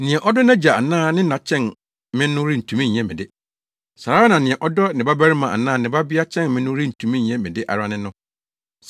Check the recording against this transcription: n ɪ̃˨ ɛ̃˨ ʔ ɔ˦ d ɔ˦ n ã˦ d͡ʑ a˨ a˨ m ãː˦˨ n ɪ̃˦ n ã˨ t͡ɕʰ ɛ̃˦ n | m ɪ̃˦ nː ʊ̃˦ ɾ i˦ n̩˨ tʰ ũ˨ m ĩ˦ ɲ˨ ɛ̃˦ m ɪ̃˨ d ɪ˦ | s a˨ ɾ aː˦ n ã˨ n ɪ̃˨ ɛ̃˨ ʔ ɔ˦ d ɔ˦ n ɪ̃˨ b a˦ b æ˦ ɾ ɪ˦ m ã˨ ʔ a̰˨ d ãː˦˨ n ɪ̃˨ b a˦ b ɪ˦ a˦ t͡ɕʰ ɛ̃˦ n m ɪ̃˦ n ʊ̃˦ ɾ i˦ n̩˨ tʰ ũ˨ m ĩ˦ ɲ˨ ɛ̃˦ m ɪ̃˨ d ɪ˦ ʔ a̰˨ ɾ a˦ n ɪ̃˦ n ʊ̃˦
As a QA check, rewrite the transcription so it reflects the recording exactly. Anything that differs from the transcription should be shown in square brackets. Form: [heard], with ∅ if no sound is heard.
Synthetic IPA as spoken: n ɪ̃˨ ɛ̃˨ ʔ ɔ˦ d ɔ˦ n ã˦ d͡ʑ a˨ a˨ [n] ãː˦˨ n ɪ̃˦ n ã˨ t͡ɕʰ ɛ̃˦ n | m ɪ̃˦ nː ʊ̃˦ ɾ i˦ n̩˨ tʰ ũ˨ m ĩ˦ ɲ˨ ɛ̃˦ m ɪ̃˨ d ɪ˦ | s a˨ ɾ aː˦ n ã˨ n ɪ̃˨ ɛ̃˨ ʔ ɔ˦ d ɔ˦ n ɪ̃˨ b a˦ b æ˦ ɾ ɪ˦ m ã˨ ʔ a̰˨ [n] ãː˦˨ n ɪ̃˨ b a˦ b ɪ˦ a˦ t͡ɕʰ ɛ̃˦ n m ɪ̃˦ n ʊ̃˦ ɾ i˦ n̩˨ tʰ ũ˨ m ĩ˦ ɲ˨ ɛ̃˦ m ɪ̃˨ d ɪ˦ ʔ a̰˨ ɾ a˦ n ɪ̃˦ n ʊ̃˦

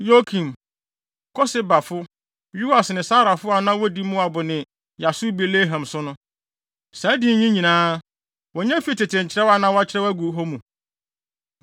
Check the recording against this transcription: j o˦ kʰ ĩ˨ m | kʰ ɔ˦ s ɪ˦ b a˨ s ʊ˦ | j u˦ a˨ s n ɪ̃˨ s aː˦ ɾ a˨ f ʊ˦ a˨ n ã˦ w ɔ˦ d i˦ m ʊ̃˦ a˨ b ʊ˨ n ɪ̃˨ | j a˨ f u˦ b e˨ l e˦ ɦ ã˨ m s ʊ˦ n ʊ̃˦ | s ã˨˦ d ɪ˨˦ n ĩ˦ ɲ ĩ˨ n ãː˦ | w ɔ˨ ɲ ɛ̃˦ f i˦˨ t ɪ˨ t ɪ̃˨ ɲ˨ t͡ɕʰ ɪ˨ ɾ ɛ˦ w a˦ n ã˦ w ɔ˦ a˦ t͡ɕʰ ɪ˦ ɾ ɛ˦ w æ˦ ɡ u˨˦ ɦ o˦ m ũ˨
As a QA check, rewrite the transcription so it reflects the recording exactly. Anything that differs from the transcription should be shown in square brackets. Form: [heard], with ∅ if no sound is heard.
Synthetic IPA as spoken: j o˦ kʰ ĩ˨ m | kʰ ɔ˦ s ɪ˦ b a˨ [f] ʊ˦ | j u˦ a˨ s n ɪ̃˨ s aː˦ ɾ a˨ f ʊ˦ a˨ n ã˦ w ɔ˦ d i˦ m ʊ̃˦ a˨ b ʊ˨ n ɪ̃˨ | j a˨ [s] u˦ b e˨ l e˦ ɦ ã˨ m s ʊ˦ n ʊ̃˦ | s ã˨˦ d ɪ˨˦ [ɲ] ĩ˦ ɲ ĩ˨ n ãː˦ | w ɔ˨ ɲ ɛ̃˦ f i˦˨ t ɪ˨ t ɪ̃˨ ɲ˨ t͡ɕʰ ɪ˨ ɾ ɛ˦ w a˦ n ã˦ w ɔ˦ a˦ t͡ɕʰ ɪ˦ ɾ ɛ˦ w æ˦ ɡ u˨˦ ɦ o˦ m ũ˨

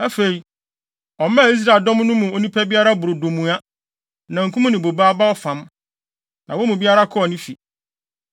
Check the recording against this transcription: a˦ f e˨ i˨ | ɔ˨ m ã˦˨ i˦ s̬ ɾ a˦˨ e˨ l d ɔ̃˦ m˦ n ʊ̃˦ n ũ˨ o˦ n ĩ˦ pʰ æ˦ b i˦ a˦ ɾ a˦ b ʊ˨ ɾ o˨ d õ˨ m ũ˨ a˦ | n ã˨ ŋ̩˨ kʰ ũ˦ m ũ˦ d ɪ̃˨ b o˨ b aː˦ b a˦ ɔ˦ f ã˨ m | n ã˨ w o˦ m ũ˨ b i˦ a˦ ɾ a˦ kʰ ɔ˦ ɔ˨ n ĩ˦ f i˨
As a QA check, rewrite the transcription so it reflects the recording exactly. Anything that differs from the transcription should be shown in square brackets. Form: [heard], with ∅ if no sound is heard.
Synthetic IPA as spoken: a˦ f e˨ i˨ | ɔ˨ m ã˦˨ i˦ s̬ ɾ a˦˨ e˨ l d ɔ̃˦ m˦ n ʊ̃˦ [m] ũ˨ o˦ n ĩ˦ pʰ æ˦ b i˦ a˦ ɾ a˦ b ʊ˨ ɾ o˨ d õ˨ m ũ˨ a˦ | n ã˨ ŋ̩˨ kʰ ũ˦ m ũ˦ [n] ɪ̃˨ b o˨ b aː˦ b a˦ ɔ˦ f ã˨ m | n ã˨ w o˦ m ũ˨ b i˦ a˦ ɾ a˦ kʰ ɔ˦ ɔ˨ n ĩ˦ f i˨

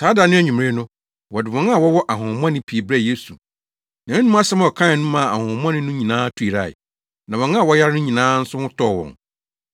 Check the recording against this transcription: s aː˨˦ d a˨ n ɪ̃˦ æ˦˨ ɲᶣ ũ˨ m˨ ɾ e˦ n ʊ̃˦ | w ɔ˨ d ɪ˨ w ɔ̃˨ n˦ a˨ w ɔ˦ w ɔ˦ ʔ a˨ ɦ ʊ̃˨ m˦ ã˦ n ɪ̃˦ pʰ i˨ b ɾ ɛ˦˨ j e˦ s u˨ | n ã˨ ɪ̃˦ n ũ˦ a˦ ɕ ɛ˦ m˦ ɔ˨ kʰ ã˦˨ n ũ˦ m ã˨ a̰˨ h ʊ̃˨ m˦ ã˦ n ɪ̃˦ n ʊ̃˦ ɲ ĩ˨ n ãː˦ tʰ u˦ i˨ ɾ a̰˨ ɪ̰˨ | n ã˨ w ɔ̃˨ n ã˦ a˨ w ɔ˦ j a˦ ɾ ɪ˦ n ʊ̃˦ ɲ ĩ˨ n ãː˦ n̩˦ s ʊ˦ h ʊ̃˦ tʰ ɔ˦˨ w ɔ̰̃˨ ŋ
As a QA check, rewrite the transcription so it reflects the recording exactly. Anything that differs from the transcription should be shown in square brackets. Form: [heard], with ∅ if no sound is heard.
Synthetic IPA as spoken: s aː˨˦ d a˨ n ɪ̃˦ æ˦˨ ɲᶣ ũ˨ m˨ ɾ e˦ n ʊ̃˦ | w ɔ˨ d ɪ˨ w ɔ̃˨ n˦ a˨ w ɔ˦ w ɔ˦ ʔ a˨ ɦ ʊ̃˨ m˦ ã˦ n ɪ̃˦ pʰ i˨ b ɾ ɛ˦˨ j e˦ s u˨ | n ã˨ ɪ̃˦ n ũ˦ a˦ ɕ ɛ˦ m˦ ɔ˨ kʰ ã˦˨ n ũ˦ m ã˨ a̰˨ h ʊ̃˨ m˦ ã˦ n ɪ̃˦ n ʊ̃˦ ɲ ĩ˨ n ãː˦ tʰ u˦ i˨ ɾ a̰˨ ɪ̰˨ | n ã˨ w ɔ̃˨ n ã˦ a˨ w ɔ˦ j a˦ ɾ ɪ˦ n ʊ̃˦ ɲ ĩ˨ n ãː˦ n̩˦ s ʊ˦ h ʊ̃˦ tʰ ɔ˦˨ w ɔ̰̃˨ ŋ

